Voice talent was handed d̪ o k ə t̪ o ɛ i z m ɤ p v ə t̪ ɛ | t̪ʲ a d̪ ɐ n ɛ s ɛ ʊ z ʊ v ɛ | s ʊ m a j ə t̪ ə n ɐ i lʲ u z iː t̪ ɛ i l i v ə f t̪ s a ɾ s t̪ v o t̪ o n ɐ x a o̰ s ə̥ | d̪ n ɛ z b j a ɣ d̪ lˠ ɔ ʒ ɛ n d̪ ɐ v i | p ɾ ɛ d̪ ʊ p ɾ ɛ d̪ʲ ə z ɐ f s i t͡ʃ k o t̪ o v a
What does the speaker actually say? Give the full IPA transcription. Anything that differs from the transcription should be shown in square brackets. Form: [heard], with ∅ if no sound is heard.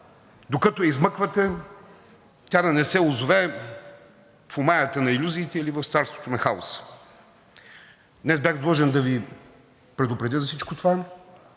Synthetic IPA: d̪ o k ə t̪ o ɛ i z m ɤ [k] v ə t̪ ɛ | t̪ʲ a d̪ ɐ n ɛ s ɛ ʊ z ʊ v ɛ | [f] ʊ m a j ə t̪ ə n ɐ i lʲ u z iː t̪ ɛ i l i v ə f t̪ s a ɾ s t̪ v o t̪ o n ɐ x a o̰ s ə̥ | d̪ n ɛ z b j a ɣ d̪ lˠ ɔ ʒ ɛ n d̪ ɐ v i | p ɾ ɛ d̪ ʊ p ɾ ɛ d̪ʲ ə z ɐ f s i t͡ʃ k o t̪ o v a